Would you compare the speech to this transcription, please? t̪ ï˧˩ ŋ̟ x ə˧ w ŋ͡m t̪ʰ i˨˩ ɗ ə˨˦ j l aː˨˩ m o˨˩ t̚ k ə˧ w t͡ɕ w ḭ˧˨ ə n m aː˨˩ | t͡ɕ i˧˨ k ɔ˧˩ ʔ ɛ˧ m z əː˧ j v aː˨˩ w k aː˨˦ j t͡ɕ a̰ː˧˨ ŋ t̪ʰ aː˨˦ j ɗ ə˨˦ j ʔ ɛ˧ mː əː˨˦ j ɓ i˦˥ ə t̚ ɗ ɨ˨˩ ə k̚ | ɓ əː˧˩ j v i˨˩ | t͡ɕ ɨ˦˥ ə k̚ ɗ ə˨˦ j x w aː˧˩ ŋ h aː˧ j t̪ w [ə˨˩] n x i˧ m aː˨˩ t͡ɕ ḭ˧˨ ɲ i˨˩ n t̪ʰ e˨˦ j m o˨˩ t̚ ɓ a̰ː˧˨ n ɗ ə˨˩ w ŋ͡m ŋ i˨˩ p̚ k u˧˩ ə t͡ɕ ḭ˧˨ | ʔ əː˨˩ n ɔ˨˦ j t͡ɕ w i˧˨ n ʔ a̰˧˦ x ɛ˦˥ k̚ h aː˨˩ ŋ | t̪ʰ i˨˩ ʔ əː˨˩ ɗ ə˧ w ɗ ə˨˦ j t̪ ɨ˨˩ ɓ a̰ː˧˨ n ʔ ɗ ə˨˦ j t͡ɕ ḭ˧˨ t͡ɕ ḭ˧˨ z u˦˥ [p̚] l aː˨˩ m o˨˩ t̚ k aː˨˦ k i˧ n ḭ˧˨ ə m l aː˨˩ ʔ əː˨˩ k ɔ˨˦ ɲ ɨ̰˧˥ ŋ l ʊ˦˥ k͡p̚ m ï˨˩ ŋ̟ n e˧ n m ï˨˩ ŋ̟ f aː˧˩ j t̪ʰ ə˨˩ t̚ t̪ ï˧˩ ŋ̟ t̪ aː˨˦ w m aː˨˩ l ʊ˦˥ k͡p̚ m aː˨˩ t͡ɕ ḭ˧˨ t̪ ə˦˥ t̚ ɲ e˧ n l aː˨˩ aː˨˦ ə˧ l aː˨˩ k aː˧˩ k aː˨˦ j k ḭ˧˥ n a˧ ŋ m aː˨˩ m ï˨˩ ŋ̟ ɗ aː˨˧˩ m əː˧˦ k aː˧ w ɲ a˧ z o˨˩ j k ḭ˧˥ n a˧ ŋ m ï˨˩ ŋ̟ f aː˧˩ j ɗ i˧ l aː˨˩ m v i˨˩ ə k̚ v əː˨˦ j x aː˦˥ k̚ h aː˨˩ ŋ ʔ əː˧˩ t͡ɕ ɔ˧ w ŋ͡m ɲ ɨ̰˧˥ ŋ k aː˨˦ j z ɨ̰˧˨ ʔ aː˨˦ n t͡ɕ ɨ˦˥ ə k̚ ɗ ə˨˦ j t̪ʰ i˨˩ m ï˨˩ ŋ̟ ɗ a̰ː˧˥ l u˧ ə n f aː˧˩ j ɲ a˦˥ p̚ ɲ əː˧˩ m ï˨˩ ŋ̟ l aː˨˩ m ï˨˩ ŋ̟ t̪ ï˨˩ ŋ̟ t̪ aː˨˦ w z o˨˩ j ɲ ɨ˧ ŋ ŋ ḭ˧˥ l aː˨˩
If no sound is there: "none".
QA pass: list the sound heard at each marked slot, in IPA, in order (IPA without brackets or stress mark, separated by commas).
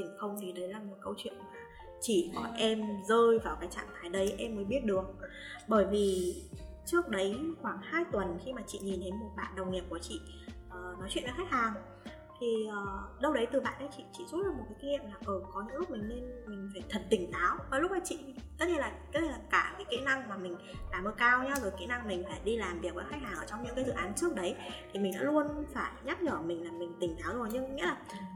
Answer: ə˨˩, t̚